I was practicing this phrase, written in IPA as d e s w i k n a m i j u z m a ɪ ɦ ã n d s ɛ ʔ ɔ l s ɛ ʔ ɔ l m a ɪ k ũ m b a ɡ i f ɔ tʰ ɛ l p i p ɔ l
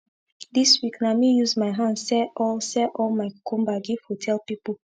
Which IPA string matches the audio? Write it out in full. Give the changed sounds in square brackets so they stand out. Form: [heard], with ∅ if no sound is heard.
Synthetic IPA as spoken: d [i] s w i k n a m i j u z m a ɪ ɦ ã n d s ɛ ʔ ɔ l s ɛ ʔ ɔ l m a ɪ k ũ m b a ɡ i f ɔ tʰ ɛ l p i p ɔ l